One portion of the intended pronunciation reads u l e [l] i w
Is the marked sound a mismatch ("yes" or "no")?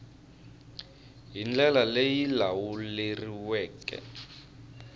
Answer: yes